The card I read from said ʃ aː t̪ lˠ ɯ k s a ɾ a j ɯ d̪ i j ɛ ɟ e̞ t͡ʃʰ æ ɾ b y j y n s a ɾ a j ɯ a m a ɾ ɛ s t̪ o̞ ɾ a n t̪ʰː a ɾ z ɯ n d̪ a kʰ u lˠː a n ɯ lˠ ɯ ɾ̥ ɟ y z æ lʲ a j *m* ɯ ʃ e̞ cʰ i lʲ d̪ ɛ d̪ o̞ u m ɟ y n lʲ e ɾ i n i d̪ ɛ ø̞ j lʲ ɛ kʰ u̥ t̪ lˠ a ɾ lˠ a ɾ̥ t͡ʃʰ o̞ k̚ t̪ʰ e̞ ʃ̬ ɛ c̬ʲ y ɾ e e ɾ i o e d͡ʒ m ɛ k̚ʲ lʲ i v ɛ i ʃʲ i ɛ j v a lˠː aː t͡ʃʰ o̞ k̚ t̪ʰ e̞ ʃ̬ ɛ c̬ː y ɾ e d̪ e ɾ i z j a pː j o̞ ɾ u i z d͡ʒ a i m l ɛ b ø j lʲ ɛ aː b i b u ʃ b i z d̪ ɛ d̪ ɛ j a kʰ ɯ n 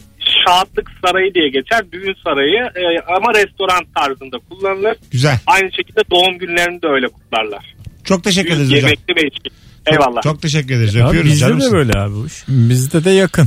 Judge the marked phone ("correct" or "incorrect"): incorrect